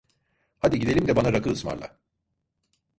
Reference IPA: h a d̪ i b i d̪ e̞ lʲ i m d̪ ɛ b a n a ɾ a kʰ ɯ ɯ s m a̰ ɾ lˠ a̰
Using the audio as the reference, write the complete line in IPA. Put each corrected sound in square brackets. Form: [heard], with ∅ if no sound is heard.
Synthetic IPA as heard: h a d̪ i [ɟ] i d̪ e̞ lʲ i m d̪ ɛ b a n a ɾ a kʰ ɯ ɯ s m a̰ ɾ lˠ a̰